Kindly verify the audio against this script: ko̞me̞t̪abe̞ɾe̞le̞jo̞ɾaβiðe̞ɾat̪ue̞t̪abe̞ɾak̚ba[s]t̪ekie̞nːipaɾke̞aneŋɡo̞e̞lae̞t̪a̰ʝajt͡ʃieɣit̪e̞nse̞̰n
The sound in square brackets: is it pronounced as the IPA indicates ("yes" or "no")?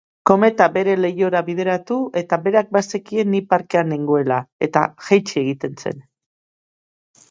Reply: yes